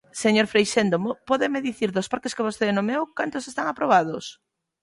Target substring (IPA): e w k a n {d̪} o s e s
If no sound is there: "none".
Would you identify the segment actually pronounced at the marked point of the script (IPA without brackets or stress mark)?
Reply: t̪